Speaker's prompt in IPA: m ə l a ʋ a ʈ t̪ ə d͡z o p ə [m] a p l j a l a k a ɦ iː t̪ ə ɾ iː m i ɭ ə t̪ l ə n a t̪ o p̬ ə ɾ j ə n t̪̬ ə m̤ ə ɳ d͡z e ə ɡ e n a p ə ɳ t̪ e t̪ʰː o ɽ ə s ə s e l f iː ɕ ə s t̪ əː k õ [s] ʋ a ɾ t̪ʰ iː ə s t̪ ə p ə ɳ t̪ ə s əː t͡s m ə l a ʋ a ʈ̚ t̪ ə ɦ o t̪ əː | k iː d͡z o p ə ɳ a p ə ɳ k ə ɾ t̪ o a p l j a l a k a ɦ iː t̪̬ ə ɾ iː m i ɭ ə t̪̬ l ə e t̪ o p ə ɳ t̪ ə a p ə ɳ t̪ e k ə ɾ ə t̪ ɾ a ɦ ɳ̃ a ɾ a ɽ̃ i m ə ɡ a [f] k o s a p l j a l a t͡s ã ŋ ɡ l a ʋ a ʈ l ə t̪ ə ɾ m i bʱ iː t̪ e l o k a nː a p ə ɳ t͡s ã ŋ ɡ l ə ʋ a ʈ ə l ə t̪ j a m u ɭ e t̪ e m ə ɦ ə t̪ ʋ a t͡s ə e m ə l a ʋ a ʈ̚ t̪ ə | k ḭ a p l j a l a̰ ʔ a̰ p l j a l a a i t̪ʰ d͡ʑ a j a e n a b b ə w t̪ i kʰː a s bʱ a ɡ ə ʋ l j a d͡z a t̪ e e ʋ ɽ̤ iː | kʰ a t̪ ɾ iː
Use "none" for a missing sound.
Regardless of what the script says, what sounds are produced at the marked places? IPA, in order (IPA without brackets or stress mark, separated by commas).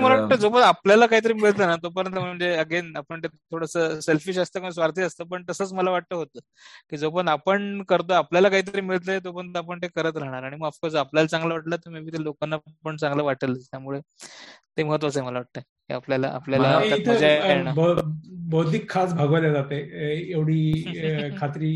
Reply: ɳ, s, f